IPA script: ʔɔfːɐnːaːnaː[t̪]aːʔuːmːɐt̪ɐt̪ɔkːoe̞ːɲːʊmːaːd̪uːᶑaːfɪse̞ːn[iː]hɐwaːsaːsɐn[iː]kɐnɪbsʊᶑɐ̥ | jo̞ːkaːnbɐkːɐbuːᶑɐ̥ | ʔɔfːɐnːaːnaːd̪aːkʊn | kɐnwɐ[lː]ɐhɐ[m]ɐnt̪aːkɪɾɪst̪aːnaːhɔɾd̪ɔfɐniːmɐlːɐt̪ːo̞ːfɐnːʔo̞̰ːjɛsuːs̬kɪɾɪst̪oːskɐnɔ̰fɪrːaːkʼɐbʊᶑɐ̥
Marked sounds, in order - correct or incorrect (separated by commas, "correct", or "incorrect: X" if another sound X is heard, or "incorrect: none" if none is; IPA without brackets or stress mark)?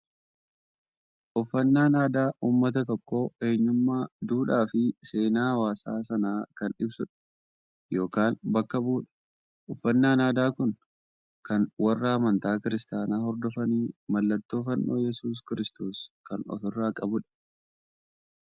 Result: incorrect: d̪, incorrect: aː, incorrect: aː, incorrect: rː, correct